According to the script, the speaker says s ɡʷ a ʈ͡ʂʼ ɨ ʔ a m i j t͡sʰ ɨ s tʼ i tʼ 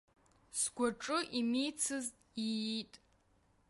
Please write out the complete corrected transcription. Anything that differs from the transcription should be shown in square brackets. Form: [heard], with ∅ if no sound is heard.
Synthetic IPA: s ɡʷ a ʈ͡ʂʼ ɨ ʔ [i] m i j t͡sʰ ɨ [z] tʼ i tʼ

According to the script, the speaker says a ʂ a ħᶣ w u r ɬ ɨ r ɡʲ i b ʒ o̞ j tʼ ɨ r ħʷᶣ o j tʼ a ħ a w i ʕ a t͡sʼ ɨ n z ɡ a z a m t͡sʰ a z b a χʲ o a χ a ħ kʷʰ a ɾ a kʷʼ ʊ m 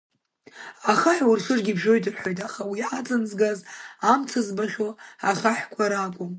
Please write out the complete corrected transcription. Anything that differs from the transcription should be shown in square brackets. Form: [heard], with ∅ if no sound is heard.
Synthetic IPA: a [χ] a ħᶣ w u r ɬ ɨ r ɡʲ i b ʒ o̞ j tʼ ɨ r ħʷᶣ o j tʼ a [χ] a w i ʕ a t͡sʼ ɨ n z ɡ a z a m t͡sʰ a z b a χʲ o a χ a ħ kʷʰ a ɾ a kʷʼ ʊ m

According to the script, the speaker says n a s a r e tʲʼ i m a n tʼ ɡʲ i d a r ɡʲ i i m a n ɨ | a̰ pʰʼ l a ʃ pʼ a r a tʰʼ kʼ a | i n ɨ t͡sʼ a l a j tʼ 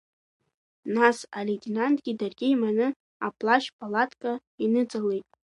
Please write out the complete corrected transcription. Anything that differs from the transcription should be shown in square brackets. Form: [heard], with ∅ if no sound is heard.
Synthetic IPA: n a s a [l] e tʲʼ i [n] a n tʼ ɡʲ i d a r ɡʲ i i m a n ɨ | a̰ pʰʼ l a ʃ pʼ a [l] a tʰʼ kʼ a | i n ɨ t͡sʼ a l [e] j tʼ

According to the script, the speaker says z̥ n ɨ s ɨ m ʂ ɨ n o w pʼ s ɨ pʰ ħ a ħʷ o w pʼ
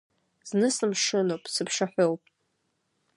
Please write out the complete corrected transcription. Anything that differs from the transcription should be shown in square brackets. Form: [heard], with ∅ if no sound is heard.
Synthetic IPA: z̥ n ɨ s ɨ m ʂ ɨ n o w pʼ s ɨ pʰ [ʂ] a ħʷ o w pʼ

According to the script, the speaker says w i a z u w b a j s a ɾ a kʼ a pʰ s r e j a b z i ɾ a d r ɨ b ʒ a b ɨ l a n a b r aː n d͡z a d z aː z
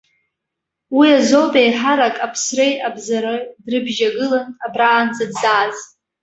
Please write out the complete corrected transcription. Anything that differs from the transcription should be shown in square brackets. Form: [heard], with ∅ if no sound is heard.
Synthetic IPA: w i a z [o] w b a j [ħ] a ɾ a kʼ a pʰ s r e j a b z [a] ɾ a d r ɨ b ʒ a [ɡ] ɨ l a n a b r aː n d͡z a d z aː z

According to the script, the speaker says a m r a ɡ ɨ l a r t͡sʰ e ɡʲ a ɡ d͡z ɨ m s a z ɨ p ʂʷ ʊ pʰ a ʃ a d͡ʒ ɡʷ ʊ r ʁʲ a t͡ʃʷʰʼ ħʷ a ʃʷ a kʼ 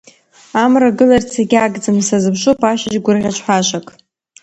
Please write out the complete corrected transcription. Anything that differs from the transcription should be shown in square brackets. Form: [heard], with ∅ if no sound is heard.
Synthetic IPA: a m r a ɡ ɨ l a r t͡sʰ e ɡʲ a ɡ d͡z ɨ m s a z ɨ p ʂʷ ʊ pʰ a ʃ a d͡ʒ ɡʷ ʊ r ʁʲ a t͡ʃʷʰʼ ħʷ a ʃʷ a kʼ

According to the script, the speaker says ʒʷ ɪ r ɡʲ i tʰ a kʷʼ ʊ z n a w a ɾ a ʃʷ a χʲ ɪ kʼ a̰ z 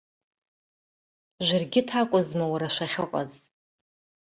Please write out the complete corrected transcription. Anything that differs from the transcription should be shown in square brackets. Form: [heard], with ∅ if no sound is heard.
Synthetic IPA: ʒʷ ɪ r ɡʲ [ɪ] tʰ a kʷʼ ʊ z [m] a w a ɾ a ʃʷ a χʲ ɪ [qʼ] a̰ z

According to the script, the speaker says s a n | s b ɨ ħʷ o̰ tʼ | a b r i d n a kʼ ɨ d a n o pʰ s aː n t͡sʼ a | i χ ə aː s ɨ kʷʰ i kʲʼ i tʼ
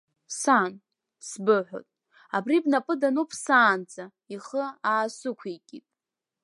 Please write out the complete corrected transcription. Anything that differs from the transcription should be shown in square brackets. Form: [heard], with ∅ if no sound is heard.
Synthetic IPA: s a n | s b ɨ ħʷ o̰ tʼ | a b r i [b] n a [pʼ] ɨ d a n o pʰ s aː n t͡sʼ a | i χ ə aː s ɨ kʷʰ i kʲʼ i tʼ

